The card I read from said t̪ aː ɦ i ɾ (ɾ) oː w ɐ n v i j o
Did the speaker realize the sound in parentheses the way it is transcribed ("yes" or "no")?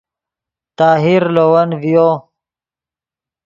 no